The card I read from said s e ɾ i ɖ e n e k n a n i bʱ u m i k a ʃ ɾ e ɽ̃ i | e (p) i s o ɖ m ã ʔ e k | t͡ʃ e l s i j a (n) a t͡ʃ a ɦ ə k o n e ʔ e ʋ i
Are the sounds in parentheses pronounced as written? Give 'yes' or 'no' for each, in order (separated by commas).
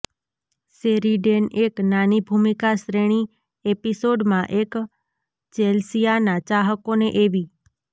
yes, yes